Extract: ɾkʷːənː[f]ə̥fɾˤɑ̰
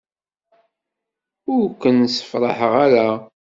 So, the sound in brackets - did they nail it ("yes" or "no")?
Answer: no